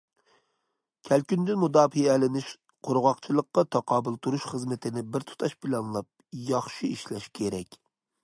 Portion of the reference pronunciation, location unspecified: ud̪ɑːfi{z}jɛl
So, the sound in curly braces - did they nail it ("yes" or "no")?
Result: no